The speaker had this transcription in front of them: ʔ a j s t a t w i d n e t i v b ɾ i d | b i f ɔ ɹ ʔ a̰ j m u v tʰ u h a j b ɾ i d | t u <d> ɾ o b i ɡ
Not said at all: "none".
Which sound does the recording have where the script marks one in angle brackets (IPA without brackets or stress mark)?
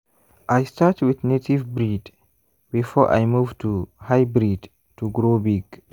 ɡ